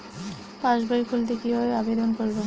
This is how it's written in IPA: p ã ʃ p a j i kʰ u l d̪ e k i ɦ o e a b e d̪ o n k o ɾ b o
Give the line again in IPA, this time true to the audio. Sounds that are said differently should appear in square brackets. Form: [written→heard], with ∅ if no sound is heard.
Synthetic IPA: p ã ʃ [p→b] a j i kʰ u l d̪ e k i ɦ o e a b e d̪ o n k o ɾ b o